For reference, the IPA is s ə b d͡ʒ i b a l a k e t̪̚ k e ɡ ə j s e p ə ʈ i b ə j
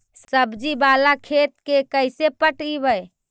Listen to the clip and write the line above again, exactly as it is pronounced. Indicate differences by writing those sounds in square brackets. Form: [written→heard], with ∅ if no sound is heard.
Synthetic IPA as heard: s ə b d͡ʒ i b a l a [k→kʰ] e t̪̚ k e [ɡ→k] ə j s e p ə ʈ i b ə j